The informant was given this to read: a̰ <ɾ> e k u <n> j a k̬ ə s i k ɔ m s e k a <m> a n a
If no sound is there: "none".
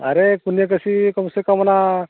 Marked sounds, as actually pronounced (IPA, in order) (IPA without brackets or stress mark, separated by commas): ɾ, n, m